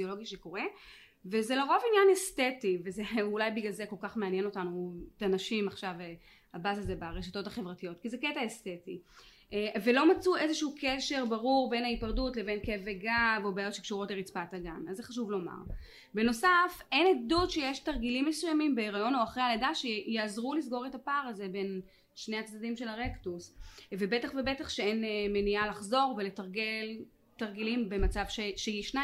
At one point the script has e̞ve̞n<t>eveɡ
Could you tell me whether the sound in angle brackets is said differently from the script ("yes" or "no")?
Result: yes